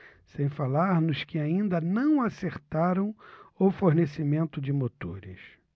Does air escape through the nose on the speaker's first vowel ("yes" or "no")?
yes